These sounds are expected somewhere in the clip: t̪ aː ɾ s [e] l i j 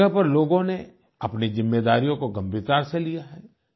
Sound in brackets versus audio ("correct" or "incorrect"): correct